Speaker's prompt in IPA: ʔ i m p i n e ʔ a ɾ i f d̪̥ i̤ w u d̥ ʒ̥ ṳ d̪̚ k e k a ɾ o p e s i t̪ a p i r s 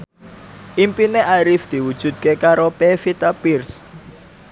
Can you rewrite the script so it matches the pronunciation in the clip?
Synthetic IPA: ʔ i m p i n e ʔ a ɾ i f d̪̥ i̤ w u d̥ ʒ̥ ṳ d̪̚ k e k a ɾ o p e f i t̪ a p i r s